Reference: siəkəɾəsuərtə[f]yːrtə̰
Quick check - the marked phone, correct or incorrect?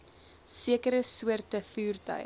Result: correct